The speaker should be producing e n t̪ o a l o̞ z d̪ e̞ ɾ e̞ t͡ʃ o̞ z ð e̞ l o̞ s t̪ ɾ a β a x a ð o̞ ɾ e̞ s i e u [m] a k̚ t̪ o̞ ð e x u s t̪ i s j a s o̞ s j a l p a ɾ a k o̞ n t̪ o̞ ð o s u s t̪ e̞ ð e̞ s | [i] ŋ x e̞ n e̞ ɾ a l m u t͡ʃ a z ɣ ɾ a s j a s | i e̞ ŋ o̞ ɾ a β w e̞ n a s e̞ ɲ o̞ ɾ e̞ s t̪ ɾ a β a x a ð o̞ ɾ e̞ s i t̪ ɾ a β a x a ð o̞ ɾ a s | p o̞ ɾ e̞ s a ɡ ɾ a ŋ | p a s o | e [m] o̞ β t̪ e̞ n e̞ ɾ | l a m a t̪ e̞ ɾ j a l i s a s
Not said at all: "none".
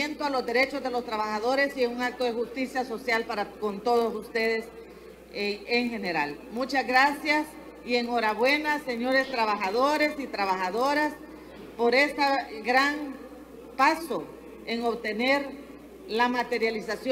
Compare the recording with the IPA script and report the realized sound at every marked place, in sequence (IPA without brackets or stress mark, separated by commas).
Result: ŋ, e, ŋ